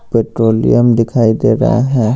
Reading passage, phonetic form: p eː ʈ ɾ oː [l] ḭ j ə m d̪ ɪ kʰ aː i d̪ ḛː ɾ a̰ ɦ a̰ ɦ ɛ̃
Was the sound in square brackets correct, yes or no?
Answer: yes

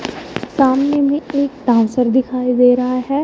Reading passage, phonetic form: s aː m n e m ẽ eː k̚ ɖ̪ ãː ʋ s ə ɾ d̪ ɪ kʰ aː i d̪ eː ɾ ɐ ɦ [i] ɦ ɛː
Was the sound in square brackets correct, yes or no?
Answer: no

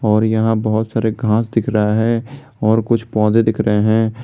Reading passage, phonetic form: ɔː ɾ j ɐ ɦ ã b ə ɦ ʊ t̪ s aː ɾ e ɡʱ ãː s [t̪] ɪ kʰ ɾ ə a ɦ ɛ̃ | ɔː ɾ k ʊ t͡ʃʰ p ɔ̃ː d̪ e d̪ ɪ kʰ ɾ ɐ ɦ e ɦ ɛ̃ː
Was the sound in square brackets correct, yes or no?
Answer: no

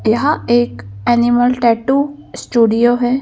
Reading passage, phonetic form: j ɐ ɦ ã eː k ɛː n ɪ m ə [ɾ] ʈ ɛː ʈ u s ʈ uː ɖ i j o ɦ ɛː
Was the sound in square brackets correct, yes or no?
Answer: no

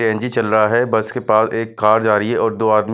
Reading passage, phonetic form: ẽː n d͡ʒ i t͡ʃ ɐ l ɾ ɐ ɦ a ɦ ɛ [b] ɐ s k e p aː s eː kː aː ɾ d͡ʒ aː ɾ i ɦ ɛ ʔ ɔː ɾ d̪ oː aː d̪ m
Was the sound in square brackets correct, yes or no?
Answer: yes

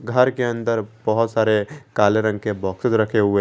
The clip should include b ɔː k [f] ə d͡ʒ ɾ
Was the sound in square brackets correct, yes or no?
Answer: no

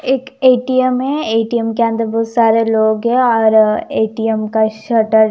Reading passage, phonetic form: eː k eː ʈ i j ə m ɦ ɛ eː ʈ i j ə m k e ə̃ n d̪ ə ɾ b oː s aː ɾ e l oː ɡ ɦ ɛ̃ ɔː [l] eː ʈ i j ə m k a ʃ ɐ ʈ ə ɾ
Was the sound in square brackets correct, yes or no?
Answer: no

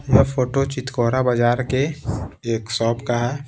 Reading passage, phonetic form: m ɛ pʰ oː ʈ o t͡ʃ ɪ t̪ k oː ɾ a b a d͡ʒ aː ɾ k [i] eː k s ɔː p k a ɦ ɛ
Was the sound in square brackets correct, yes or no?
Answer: no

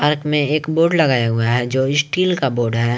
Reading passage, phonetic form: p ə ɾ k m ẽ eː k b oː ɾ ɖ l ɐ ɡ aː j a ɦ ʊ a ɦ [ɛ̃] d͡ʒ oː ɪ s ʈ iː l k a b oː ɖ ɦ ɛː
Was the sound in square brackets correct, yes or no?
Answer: no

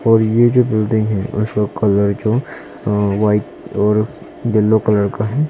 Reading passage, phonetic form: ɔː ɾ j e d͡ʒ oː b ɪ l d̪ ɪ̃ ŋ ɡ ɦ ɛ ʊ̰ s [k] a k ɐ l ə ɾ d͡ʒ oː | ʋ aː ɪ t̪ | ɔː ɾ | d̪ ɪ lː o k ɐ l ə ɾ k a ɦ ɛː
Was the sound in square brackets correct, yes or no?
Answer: yes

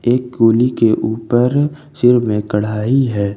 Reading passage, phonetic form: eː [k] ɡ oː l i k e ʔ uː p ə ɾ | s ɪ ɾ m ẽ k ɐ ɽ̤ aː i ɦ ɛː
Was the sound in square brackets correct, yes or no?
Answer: yes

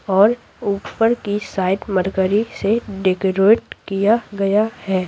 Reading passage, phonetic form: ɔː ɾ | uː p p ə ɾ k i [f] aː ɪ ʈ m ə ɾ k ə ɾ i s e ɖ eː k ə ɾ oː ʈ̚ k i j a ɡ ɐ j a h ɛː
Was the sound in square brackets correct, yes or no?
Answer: no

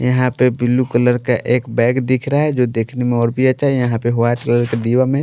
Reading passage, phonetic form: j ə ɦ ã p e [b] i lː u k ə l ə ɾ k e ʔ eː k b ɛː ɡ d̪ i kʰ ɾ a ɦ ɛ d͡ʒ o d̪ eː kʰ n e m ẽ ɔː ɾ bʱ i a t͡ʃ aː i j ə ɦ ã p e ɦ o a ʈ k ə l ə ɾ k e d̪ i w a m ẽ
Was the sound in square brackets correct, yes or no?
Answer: yes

